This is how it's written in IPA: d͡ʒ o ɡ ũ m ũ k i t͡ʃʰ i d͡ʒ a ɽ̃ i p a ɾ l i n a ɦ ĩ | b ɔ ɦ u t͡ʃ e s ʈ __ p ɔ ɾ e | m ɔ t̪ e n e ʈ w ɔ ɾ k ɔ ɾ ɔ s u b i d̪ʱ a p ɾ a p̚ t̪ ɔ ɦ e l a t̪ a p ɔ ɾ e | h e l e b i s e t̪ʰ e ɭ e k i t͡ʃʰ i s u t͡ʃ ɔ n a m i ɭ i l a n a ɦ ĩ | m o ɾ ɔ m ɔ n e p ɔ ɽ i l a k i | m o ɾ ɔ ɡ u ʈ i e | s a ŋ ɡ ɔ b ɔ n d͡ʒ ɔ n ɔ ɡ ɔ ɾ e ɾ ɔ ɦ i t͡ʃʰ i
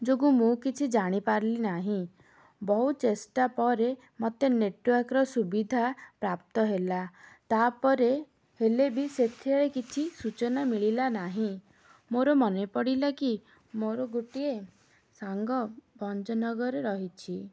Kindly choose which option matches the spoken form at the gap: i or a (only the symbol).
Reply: a